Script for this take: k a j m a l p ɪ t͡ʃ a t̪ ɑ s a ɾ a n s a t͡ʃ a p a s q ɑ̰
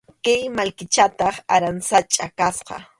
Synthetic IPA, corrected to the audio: k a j m a l k ɪ t͡ʃ a t̪ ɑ χ a ɾ a n s a t͡ʃʼ a k a s q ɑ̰